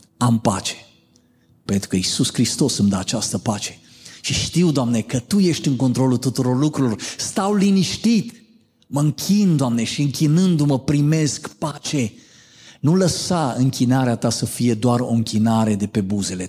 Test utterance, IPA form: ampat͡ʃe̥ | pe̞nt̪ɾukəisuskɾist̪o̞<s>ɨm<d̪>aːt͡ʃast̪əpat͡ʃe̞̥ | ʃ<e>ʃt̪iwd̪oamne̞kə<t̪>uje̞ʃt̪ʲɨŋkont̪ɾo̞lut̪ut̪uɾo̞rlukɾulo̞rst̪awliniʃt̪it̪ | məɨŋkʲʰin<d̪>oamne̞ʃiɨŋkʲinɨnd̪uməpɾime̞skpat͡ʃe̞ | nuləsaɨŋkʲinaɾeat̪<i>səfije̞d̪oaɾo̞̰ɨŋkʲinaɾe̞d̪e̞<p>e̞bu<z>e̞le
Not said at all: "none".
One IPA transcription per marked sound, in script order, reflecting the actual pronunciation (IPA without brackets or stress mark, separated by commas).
s, d̪, i, t̪, d̪, a, p, z